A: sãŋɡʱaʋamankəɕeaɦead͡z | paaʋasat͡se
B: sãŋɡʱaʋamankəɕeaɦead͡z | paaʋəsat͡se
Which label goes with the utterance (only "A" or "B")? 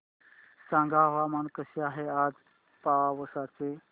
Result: B